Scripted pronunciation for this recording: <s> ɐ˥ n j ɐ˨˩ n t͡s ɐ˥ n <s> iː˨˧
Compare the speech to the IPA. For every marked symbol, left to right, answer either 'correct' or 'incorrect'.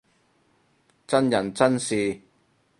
incorrect, correct

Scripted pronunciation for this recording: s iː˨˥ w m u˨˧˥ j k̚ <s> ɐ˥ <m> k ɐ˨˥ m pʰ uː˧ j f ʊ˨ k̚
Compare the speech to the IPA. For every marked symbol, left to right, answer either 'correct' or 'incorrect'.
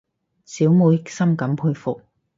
correct, correct

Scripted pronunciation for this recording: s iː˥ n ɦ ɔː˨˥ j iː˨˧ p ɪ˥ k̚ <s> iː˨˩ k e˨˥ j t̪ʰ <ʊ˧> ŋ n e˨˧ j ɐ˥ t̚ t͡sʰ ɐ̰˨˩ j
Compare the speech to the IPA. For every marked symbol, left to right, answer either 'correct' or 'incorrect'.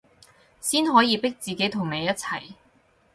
incorrect, incorrect

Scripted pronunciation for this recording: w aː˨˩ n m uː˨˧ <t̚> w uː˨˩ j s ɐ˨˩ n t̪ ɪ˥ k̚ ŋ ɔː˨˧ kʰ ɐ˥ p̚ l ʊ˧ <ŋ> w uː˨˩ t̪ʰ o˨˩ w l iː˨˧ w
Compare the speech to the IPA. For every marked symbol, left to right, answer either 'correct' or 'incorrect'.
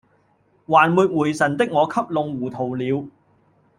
correct, correct

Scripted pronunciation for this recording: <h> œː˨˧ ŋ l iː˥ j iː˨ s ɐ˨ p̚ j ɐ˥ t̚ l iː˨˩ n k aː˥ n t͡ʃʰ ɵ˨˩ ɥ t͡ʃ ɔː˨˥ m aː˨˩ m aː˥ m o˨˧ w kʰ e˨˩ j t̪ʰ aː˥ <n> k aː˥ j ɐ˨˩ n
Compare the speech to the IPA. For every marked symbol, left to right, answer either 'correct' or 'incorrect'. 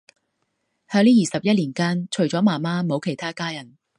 correct, incorrect

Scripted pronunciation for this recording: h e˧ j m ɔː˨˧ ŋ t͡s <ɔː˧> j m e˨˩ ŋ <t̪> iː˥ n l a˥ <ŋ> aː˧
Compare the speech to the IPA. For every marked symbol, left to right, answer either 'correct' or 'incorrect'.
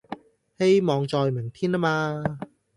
correct, incorrect, incorrect

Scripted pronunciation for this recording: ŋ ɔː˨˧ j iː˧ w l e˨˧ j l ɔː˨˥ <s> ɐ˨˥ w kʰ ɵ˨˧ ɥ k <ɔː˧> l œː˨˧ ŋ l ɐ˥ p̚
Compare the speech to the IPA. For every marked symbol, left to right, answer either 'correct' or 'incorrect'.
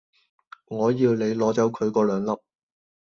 incorrect, correct

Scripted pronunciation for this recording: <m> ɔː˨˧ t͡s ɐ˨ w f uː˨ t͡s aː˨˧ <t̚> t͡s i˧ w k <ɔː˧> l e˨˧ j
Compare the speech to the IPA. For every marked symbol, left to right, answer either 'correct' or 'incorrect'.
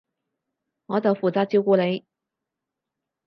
incorrect, correct, incorrect

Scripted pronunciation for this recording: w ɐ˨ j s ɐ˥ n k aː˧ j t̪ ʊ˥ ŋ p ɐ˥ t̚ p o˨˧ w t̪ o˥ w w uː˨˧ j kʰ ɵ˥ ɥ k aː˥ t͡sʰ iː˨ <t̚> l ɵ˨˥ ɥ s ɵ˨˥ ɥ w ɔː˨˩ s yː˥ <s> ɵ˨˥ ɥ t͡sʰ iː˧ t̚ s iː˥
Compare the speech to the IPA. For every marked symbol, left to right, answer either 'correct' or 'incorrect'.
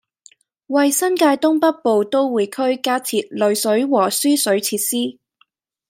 correct, correct

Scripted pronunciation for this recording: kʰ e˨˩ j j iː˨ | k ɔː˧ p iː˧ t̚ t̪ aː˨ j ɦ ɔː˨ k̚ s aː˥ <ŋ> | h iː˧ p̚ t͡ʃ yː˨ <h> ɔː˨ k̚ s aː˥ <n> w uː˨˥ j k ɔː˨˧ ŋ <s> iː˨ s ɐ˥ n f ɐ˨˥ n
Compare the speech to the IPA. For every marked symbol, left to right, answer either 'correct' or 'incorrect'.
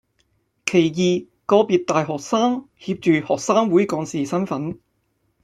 correct, correct, incorrect, correct

